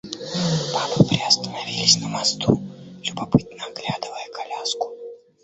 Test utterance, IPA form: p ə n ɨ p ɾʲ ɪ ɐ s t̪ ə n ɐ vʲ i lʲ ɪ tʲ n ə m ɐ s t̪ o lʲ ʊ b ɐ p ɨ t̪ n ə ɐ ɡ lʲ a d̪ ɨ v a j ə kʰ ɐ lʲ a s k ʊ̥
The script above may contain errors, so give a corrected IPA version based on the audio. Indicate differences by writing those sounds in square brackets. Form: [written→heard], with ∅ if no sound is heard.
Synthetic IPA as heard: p [ə→a] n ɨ p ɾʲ ɪ ɐ s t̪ ə n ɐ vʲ i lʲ ɪ [tʲ→sʲ] n ə m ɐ s t̪ [o→u] lʲ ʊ b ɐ p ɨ t̪ n ə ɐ ɡ lʲ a d̪ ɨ v [a→ə] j ə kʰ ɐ lʲ a s k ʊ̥